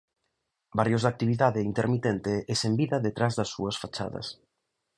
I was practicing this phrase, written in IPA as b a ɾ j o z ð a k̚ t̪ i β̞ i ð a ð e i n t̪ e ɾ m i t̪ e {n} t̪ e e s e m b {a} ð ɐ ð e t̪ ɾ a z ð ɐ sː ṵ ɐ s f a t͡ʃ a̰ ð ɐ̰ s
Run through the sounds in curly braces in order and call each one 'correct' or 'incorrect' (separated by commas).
correct, incorrect